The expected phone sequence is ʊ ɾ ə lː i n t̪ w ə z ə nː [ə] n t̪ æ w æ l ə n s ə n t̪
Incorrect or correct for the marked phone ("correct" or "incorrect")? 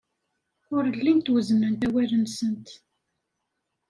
correct